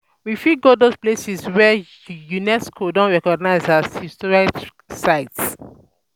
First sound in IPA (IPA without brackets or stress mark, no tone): w